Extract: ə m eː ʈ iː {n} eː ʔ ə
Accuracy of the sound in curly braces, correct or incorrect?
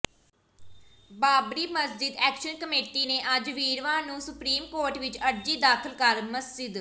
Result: correct